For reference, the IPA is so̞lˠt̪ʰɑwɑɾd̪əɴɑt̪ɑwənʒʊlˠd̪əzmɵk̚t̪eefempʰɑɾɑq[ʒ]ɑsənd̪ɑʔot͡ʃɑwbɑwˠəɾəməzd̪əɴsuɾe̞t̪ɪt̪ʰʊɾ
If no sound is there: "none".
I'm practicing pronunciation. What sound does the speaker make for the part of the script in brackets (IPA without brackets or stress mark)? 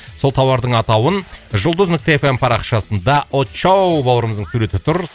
ʃ